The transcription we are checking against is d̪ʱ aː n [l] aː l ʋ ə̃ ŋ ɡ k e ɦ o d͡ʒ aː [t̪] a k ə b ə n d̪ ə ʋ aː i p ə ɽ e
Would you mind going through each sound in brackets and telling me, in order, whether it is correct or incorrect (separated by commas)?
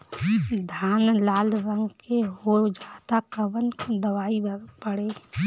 correct, correct